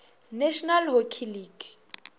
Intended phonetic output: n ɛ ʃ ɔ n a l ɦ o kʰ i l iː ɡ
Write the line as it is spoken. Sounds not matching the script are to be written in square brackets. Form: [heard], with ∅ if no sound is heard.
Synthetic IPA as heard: n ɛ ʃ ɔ n a l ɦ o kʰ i l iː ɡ